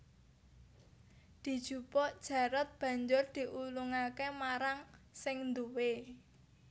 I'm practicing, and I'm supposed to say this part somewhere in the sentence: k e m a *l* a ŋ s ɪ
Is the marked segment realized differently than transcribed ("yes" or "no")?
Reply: yes